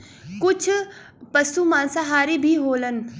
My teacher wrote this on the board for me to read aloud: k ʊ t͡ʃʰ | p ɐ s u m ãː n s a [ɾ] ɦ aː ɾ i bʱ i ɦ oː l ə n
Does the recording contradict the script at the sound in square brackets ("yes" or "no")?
yes